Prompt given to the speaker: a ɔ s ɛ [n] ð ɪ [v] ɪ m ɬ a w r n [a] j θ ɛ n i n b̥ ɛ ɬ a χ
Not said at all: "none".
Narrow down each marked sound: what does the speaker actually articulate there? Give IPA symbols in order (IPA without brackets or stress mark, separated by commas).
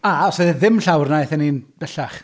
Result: none, ð, a